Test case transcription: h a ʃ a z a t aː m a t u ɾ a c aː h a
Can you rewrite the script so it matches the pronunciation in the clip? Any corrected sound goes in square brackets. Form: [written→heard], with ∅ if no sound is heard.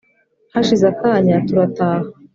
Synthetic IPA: h a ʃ [a→i] z a [t→k] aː [m→ɲ] a t u ɾ a [c→t] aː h a